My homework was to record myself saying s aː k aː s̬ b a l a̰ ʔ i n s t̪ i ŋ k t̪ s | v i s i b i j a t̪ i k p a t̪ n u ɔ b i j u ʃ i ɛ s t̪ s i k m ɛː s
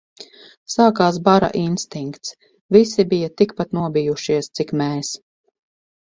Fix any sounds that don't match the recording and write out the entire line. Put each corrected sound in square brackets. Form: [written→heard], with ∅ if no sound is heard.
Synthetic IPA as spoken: s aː k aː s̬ b a [l→ɾ] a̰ ʔ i n s t̪ i ŋ k t̪ s | v i s i b i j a t̪ i k p a t̪ n u ɔ b i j u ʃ i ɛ s t̪ s i k m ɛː s

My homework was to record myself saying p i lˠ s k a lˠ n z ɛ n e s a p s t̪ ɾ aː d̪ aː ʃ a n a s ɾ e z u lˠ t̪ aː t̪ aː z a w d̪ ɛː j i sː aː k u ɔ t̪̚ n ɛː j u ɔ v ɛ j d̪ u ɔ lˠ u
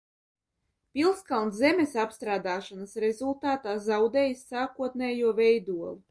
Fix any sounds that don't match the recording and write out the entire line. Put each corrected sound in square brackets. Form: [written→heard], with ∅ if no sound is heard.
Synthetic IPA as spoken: p i lˠ s k a lˠ n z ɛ [n→m] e s a p s t̪ ɾ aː d̪ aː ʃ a n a s ɾ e z u lˠ t̪ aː t̪ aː z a w d̪ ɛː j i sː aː k u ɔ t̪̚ n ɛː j u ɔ v ɛ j d̪ u ɔ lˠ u

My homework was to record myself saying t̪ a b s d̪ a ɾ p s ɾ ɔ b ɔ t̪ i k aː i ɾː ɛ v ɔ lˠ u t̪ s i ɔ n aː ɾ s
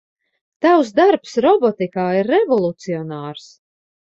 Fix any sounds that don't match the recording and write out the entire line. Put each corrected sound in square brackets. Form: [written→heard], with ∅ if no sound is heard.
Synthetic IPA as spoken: t̪ a [b→w] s d̪ a ɾ p s ɾ ɔ b ɔ t̪ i k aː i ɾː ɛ v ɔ lˠ u t̪ s i ɔ n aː ɾ s

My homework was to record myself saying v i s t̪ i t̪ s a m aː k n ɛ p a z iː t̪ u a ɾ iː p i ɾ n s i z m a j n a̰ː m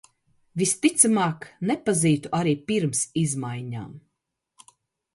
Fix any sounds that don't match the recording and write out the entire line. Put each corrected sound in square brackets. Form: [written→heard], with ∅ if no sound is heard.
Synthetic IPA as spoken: v i s t̪ i t̪ s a m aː k n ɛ p a z iː t̪ u a ɾ iː p i ɾ [n→m] s i z m a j [n→ɲ] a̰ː m

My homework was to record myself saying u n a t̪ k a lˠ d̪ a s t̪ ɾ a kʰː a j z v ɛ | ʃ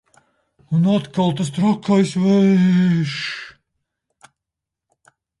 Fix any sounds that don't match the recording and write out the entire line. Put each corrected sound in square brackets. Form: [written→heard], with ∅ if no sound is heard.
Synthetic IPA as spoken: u n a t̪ k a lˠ [d̪→t̪] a s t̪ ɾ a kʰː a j [z→s] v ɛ | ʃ

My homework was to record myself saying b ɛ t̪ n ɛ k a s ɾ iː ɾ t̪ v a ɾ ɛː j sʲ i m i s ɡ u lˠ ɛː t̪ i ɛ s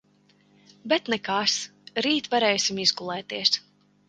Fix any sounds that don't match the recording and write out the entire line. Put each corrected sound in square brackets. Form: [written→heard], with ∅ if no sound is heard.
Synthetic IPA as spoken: b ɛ t̪ n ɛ k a s ɾ iː [ɾ→∅] t̪ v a ɾ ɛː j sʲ i m i [s→z] ɡ u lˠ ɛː t̪ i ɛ s

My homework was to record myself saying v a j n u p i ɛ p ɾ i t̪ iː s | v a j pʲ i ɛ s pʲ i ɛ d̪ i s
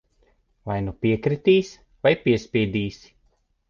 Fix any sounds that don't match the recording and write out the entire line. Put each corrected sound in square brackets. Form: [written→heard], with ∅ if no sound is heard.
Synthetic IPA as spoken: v a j n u p i ɛ [p→k] ɾ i t̪ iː s | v a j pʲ i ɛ s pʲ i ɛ d̪ [i→iː] s

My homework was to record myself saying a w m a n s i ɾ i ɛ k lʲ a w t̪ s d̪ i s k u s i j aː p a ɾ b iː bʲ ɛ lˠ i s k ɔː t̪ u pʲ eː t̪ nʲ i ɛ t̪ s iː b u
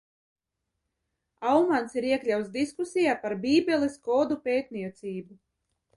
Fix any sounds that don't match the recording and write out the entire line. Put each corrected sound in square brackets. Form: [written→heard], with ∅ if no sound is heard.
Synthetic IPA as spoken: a w m a n s i ɾ i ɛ k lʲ a w t̪ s d̪ i s k u s i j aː p a ɾ b iː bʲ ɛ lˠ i s k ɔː [t̪→d̪] u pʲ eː t̪ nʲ i ɛ t̪ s iː b u

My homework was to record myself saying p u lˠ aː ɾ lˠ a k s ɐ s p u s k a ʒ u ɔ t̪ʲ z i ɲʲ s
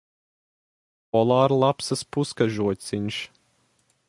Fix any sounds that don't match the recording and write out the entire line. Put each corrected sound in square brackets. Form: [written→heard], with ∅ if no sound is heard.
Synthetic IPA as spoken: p [u→ɔ] lˠ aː ɾ lˠ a [k→p] s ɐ s p u s k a ʒ u ɔ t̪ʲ [z→s] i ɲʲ [s→ʃ]

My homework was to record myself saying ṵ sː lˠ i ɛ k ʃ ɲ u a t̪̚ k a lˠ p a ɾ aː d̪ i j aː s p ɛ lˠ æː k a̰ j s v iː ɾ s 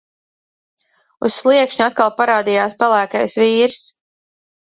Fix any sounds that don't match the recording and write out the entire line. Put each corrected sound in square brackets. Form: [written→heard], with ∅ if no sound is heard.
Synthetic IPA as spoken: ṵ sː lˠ i ɛ k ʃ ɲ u a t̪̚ k a lˠ p a ɾ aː d̪ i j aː s p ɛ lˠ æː k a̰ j s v iː ɾ s

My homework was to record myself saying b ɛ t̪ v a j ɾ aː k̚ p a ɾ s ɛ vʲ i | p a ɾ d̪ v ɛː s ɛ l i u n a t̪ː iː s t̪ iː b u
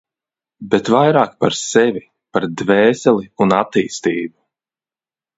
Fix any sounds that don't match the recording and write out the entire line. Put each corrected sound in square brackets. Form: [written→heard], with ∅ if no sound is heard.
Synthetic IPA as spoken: b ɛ t̪ v a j ɾ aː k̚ p a ɾ s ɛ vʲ i | p a ɾ d̪ v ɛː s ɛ l i u n a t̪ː iː s t̪ iː b u

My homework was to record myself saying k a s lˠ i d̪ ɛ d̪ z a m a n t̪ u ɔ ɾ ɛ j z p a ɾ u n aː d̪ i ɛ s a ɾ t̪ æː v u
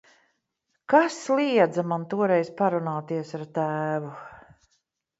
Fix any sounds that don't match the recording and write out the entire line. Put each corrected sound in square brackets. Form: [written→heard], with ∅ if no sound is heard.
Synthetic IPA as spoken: k a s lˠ i [d̪→∅] ɛ d̪ z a m a n t̪ u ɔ ɾ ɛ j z p a ɾ u n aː [d̪→t̪] i ɛ s a ɾ t̪ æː v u

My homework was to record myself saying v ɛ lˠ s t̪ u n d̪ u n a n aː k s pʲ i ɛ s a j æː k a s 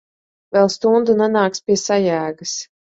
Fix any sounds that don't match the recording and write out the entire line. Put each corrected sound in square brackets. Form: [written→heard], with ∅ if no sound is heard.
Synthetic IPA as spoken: v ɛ lˠ s t̪ u n d̪ u n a n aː k s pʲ i ɛ s a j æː [k→ɡ] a s

